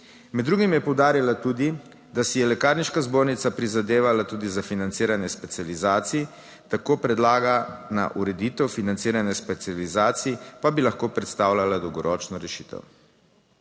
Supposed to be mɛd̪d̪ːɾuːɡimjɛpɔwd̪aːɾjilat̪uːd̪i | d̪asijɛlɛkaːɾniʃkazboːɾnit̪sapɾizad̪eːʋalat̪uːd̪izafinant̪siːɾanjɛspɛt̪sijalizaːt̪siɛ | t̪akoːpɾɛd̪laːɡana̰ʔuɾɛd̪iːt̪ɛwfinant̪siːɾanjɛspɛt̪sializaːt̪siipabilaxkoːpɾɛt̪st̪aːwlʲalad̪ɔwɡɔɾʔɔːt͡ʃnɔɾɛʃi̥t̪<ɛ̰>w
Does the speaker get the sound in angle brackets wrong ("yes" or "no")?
no